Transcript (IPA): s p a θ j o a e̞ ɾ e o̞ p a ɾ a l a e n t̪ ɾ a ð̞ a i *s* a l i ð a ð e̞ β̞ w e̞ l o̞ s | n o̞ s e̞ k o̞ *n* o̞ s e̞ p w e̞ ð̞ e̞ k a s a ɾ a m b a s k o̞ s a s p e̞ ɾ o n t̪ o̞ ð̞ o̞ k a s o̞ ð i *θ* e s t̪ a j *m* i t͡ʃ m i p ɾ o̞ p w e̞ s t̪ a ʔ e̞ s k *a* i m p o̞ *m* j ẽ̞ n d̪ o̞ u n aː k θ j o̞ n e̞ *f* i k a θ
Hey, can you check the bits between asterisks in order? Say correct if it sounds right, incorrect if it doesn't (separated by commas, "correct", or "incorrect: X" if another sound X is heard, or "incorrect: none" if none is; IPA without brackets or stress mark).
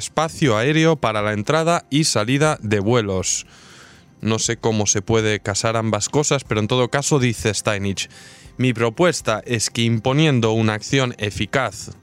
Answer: correct, incorrect: m, correct, incorrect: n, incorrect: e, incorrect: n, correct